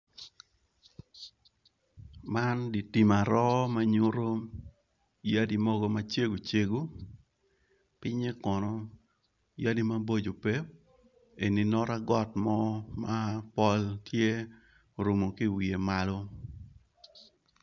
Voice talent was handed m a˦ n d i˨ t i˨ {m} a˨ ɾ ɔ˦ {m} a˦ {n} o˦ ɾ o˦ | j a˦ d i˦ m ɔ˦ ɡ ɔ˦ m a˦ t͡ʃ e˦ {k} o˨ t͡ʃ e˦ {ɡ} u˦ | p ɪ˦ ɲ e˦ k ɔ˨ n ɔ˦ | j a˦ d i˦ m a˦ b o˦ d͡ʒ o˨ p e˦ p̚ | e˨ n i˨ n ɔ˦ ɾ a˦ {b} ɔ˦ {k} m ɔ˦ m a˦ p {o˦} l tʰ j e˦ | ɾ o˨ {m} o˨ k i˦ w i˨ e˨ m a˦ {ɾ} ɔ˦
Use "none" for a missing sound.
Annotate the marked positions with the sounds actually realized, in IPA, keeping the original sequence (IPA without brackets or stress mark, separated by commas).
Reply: m, m, ɲ, ɡ, ɡ, ɡ, t, ɔ˦, m, l